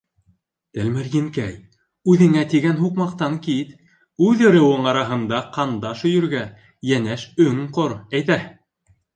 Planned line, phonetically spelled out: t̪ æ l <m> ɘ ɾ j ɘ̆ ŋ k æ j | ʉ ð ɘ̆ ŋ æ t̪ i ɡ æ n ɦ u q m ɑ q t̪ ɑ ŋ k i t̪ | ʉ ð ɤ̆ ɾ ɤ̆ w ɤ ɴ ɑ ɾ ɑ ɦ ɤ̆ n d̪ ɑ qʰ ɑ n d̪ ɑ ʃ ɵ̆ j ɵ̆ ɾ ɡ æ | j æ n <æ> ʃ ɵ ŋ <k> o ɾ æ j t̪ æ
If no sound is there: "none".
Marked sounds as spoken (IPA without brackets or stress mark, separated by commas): m, æ, q